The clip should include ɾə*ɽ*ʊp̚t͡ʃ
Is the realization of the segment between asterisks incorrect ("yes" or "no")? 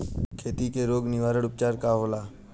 no